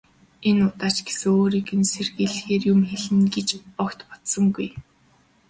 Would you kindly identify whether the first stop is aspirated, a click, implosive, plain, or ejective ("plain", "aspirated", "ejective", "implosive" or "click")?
plain